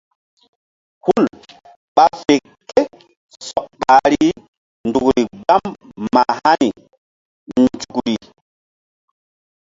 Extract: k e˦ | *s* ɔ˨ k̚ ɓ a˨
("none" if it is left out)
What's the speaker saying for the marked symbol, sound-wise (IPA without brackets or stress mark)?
s